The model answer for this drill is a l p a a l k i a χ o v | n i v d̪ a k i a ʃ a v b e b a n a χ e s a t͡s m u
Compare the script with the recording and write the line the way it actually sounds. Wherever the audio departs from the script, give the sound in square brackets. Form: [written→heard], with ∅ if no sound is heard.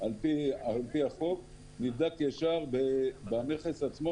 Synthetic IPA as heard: a l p [a→i] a l [k→p] i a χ o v | n i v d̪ a k [i→j] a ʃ a [v→ʁ] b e b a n [a→e] χ e s a t͡s m [u→o]